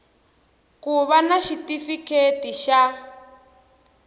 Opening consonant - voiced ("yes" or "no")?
no